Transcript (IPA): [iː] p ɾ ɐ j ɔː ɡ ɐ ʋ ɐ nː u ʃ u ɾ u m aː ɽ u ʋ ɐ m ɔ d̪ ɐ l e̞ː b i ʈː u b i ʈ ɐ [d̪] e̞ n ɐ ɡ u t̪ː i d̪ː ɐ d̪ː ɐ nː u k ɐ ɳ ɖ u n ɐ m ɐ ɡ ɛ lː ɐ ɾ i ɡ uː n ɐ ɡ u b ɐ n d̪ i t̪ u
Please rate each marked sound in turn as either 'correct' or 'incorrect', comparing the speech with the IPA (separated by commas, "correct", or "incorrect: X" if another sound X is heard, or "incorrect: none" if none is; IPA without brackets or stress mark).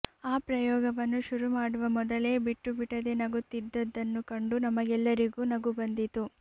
incorrect: aː, correct